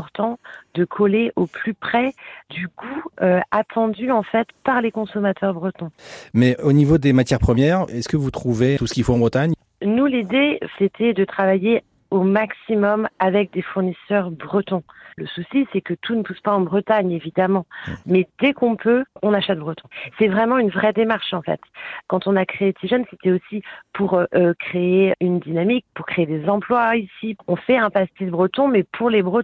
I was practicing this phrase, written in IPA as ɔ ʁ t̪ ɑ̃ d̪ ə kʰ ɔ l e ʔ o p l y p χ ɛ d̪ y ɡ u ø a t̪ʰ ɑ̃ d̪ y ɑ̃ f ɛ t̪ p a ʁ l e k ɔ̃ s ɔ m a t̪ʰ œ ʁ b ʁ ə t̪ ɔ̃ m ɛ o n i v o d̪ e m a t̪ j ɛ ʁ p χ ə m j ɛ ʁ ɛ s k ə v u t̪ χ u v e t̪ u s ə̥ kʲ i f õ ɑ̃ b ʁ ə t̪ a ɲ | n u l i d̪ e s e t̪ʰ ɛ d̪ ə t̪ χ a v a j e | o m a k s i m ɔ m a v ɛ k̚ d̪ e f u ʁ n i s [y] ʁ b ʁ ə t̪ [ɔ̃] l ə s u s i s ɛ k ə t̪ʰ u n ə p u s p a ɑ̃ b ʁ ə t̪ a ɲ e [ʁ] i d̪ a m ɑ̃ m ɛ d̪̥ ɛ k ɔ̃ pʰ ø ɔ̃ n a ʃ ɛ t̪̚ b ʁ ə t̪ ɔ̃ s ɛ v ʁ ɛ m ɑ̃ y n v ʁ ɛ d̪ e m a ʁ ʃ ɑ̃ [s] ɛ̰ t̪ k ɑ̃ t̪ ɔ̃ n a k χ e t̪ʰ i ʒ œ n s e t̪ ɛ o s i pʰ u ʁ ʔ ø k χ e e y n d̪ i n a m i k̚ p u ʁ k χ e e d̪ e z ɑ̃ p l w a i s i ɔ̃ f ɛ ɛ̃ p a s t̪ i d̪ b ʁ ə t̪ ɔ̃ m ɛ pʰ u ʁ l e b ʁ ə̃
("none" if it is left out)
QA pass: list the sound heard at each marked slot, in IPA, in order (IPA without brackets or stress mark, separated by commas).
œ, ɔ̃, v, f